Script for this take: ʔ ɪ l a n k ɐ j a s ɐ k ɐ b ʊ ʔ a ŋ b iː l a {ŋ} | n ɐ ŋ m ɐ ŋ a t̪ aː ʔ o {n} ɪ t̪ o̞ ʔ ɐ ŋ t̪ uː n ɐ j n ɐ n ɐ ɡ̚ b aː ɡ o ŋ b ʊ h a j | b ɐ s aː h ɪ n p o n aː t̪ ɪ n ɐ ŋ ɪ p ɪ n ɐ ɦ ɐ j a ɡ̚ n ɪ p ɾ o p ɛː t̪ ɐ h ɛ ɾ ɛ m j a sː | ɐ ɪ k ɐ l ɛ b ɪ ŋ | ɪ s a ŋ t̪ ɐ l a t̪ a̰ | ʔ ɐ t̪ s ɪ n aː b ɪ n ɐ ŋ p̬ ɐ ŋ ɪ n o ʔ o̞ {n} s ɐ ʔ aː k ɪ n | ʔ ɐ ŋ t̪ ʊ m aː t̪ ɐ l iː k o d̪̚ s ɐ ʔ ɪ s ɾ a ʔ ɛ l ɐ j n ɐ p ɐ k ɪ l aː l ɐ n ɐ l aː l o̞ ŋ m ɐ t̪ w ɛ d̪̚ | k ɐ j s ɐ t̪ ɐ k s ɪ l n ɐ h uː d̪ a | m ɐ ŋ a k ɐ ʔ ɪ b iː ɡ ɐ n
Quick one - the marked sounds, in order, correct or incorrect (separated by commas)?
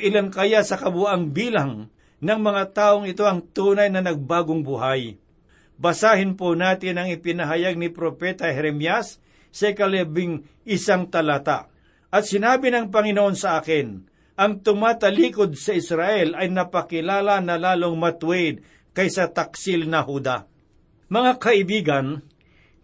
correct, incorrect, correct